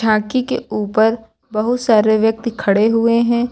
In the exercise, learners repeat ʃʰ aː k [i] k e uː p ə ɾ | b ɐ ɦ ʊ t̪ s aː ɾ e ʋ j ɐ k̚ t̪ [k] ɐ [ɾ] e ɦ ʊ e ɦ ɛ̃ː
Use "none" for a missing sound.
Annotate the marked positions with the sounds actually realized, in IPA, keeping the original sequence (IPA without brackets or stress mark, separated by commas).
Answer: i, kʰ, ɽ